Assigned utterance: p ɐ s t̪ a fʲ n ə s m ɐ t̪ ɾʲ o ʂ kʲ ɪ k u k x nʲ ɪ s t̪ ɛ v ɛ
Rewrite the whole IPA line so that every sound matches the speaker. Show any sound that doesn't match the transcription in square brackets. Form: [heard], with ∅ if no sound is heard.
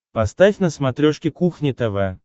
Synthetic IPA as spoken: p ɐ s t̪ a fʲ n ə s m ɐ t̪ ɾʲ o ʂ kʲ ɪ k u [∅] x nʲ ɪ [∅] t̪ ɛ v ɛ